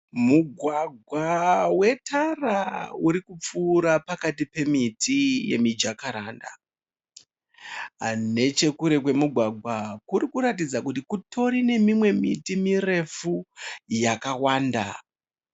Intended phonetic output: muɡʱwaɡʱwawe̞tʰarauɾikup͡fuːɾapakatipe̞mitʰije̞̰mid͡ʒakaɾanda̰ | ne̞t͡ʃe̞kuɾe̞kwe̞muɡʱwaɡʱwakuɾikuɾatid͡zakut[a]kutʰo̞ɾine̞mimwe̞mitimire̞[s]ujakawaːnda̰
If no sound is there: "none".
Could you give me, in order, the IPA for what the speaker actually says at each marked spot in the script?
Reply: i, f

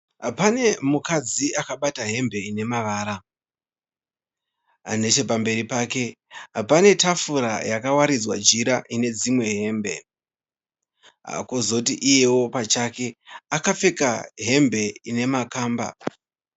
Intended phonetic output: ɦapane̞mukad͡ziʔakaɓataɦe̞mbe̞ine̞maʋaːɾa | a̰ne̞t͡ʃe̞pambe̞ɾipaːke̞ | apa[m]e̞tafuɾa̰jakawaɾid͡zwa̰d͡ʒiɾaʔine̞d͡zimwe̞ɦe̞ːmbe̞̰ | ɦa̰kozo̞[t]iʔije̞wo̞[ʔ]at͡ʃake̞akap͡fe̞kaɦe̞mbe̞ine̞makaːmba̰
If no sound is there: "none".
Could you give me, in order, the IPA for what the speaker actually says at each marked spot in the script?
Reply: n, t, p

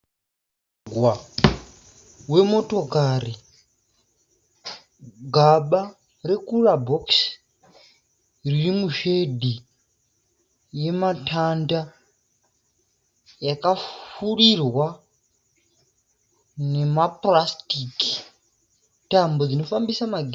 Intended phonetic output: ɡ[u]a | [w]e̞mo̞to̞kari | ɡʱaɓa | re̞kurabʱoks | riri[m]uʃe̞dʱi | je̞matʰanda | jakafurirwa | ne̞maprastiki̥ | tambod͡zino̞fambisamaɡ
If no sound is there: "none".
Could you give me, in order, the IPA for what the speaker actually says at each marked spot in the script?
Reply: w, w, m

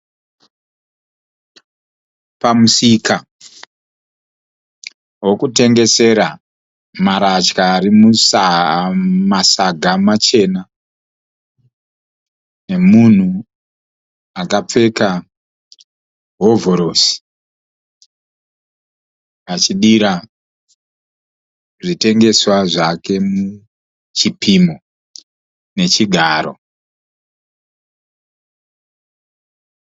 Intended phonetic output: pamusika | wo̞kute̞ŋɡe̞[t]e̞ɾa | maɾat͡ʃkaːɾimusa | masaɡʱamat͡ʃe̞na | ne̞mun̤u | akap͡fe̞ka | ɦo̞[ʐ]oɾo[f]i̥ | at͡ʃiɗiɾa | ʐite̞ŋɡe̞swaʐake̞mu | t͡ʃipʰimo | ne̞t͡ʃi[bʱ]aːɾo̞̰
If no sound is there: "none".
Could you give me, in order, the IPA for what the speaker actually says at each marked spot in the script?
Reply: s, v, s, ɡʱ

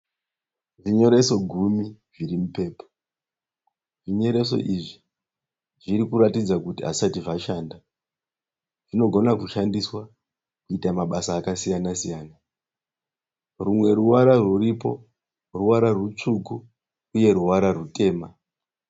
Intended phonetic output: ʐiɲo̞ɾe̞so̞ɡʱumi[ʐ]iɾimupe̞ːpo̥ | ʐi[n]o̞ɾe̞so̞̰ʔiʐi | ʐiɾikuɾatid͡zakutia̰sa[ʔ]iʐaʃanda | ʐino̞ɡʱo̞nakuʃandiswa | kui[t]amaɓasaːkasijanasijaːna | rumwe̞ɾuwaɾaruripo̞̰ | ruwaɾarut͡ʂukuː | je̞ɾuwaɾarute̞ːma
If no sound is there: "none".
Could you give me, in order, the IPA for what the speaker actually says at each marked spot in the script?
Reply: ʐ, ɲ, t, t

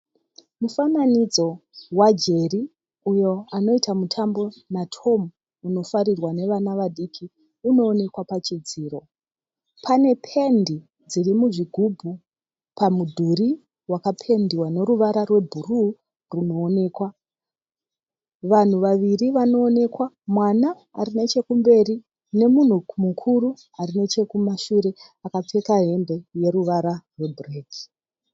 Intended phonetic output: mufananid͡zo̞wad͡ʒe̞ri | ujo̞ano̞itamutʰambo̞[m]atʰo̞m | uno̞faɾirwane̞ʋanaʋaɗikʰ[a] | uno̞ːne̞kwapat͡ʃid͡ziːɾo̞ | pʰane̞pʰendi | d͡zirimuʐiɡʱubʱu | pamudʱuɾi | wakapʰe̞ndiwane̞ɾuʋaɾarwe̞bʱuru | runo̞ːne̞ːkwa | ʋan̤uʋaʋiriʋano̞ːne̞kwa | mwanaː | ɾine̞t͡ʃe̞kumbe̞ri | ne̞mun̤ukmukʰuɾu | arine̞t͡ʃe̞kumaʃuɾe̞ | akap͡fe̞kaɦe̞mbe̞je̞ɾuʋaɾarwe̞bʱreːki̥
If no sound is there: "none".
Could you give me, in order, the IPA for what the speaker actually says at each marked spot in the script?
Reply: n, i

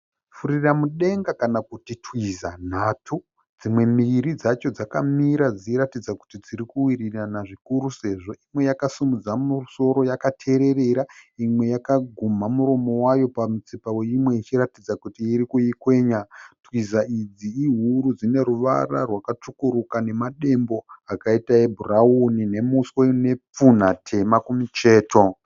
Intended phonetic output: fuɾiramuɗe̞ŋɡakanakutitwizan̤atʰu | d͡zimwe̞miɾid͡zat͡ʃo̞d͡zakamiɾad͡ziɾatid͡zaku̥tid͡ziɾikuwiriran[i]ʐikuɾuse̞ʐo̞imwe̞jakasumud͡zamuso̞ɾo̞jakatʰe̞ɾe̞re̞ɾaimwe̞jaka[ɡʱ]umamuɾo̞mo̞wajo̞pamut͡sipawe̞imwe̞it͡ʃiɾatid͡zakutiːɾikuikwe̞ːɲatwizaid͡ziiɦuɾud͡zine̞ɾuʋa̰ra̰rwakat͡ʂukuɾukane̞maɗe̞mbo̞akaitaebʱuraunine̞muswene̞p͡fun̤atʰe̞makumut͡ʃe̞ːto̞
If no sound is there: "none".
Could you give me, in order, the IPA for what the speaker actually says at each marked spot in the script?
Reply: a, ɡʱ

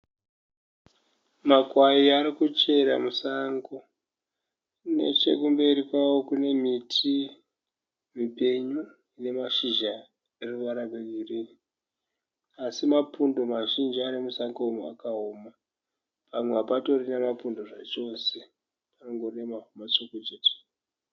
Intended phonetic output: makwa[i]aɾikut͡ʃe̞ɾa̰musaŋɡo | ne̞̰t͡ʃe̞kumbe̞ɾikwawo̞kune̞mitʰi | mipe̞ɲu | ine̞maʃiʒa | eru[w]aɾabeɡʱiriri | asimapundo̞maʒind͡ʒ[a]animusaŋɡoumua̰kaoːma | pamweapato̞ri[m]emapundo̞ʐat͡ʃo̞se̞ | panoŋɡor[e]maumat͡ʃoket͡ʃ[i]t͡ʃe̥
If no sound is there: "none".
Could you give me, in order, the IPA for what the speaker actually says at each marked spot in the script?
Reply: i, ʋ, i, n, e, e

